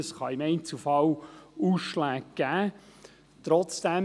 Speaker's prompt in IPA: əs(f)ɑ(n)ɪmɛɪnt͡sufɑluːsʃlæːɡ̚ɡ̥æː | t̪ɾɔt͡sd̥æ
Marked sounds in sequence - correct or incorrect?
incorrect: χ, incorrect: none

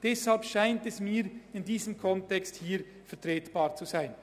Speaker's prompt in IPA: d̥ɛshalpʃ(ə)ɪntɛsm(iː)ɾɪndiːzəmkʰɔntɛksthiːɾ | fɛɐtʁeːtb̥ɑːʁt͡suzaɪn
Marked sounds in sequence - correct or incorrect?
incorrect: a, correct

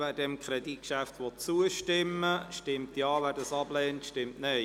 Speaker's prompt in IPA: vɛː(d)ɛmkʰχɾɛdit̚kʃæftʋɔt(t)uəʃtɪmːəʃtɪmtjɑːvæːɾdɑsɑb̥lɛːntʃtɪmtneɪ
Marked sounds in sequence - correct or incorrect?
correct, incorrect: t͡s

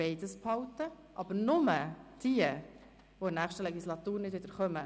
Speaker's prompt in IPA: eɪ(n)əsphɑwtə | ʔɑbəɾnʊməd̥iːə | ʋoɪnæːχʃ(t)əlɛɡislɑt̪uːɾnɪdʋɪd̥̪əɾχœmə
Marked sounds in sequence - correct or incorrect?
incorrect: d, correct

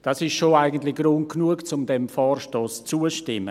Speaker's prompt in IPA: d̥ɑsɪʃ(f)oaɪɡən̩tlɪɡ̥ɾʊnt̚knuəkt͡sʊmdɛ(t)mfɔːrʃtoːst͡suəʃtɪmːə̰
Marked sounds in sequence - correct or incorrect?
incorrect: ʃ, incorrect: none

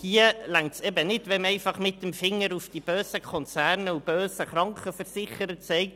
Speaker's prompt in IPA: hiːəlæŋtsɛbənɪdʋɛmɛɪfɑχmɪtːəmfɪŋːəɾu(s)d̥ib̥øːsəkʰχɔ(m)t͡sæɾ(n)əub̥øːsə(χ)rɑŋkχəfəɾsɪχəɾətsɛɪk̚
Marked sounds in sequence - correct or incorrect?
incorrect: f, incorrect: n, correct, correct

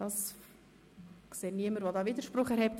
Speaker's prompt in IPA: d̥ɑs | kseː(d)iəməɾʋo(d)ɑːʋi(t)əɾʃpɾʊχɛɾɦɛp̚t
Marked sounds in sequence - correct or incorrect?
incorrect: n, correct, incorrect: d

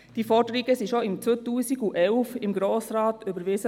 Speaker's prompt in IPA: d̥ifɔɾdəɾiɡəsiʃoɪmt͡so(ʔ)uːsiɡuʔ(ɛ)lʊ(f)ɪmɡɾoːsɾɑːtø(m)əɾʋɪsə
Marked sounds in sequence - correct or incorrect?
incorrect: t, correct, correct, incorrect: b

